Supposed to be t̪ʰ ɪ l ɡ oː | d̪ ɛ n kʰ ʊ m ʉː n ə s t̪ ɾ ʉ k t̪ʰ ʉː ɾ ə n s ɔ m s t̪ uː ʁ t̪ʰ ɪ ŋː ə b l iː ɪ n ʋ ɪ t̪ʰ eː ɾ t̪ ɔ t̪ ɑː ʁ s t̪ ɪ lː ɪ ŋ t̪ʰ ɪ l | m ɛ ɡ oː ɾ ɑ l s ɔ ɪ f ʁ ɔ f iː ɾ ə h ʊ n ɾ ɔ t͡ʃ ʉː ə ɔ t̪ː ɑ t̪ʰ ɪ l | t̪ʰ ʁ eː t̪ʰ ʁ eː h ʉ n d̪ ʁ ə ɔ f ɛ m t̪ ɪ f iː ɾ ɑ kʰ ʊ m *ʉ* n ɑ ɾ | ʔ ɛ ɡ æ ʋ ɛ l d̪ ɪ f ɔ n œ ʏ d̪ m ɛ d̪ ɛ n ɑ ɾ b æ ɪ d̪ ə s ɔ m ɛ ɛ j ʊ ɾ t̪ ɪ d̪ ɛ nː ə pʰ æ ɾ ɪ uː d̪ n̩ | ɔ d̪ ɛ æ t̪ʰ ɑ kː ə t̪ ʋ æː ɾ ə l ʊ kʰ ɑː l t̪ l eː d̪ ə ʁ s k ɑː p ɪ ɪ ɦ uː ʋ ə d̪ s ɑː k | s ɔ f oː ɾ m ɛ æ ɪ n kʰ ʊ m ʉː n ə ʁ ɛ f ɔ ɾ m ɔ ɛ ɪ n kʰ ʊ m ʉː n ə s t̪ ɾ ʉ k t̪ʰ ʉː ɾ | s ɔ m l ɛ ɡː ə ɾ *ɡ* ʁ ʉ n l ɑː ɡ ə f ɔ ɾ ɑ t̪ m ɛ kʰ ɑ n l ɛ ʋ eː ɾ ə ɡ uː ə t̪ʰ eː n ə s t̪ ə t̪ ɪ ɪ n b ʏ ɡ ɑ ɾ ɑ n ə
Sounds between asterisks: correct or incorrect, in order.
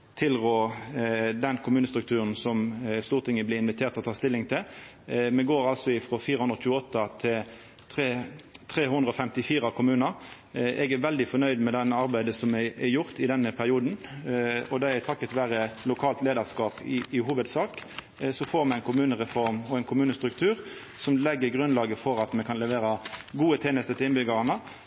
incorrect: ʉː, correct

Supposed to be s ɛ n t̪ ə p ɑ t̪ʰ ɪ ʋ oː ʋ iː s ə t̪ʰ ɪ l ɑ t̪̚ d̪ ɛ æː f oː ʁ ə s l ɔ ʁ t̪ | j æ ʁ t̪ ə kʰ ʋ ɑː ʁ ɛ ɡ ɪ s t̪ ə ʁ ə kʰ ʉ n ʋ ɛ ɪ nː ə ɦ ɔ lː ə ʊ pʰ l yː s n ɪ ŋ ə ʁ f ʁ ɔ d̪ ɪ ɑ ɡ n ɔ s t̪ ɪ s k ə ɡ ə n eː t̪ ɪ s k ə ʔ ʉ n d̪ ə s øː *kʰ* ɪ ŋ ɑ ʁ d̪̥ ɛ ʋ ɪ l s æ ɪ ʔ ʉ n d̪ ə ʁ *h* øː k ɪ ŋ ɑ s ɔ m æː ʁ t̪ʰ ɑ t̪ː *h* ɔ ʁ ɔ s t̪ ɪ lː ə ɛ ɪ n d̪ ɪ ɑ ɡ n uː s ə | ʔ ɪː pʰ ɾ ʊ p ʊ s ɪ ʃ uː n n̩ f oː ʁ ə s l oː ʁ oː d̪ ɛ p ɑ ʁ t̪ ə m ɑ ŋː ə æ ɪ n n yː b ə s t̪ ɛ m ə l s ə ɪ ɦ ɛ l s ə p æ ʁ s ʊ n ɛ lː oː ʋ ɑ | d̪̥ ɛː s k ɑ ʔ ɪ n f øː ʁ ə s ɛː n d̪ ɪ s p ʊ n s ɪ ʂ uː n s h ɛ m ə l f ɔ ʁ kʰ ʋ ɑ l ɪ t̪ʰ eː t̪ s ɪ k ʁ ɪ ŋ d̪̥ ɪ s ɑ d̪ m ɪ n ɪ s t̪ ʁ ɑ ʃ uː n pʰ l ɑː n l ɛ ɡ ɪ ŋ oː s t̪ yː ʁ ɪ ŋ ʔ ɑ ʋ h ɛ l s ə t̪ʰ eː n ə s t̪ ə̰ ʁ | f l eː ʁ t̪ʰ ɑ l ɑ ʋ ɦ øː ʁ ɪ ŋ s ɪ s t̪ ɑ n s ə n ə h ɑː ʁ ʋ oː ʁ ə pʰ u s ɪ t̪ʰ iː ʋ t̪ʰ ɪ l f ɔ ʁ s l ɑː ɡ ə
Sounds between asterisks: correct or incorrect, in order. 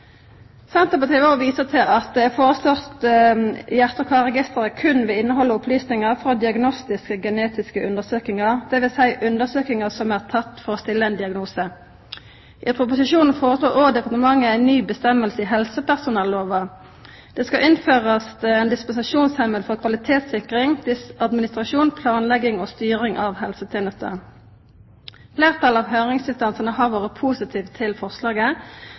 incorrect: k, incorrect: s, incorrect: f

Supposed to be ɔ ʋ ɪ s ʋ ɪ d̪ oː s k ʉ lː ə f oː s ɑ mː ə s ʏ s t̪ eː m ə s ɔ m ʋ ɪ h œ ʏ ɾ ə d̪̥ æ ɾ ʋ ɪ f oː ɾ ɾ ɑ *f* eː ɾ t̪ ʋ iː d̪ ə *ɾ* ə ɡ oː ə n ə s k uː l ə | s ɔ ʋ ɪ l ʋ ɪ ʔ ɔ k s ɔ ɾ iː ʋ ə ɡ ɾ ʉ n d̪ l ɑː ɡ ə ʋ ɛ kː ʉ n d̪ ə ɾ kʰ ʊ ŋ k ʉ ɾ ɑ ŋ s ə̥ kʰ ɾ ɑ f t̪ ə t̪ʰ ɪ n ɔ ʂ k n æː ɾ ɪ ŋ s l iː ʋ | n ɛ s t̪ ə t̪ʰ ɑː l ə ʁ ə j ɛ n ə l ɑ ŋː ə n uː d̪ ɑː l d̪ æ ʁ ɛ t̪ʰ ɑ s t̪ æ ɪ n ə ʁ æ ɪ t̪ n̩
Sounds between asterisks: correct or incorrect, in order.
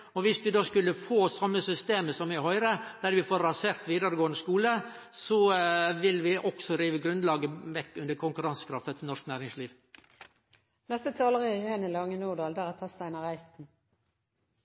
incorrect: s, correct

